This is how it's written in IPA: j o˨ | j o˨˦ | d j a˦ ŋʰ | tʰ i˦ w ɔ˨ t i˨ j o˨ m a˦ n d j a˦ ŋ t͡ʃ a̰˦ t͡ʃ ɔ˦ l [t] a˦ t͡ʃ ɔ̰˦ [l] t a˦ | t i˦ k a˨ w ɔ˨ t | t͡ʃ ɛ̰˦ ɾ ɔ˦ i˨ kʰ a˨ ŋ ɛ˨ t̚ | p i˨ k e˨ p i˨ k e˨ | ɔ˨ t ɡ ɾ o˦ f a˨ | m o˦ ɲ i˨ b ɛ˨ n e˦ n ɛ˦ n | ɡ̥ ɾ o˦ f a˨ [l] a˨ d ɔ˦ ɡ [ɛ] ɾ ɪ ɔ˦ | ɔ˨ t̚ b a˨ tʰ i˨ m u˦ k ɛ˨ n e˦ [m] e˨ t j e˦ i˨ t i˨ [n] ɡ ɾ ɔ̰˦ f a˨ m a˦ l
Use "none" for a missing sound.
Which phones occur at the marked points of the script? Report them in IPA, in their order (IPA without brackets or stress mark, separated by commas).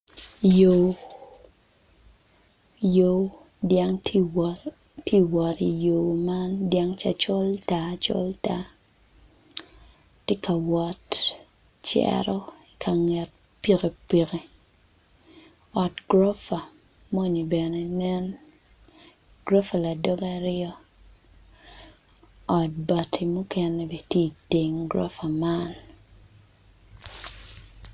t, l, l, a, b, ŋ